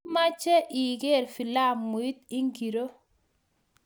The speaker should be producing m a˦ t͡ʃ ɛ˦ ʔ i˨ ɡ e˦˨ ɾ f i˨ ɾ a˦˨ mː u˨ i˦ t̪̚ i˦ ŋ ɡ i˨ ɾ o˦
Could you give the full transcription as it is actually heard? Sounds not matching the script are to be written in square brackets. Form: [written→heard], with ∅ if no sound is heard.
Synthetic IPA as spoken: m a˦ t͡ʃ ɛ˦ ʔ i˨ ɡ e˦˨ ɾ f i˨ [ɾ→l] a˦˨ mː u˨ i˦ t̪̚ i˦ ŋ ɡ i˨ ɾ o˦